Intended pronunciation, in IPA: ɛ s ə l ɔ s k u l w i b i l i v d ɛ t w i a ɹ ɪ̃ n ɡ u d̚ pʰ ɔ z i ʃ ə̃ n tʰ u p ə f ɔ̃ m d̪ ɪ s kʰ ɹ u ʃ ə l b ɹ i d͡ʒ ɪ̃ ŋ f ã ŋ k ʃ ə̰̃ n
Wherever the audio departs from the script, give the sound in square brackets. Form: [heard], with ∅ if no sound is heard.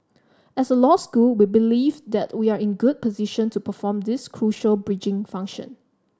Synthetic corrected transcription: ɛ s ə l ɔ s k u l w i b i l i v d ɛ t w i a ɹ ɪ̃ n ɡ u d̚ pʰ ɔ z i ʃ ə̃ n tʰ u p ə f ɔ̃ m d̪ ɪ s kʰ ɹ u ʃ ə l b ɹ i d͡ʒ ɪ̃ ŋ f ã ŋ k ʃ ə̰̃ n